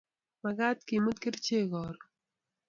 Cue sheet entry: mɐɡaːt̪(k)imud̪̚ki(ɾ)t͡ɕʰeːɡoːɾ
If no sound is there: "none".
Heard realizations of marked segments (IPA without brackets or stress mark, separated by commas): k, ɾ